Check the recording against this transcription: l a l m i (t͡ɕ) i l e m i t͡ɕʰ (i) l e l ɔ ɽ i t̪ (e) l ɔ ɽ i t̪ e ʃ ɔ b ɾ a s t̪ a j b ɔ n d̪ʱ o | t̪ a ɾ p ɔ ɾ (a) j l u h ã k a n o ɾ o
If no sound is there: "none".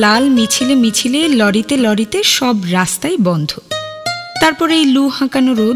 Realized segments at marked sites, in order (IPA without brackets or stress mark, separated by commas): t͡ɕʰ, i, e, e